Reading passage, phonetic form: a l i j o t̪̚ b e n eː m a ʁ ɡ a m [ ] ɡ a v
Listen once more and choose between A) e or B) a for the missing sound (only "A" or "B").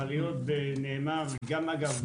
B